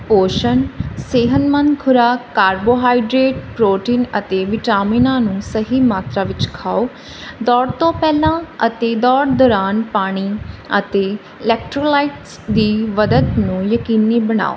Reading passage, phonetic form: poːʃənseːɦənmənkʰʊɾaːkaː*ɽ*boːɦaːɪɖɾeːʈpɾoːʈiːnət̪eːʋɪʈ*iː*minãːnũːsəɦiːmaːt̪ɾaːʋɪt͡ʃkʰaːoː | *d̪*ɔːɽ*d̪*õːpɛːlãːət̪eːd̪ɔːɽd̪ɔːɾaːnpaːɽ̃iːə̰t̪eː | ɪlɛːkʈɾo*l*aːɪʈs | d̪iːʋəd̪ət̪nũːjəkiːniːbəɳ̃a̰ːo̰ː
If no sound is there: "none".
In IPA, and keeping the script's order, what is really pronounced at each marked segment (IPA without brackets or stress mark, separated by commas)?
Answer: ɾ, aː, d̪, t̪, l